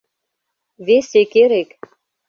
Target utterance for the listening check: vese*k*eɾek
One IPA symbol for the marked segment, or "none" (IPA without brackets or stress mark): k